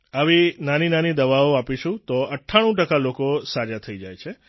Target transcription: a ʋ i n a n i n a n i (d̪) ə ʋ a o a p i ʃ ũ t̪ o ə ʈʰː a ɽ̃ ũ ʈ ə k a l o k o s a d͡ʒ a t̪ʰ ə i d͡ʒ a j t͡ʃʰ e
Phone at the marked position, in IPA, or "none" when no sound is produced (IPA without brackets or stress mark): d̪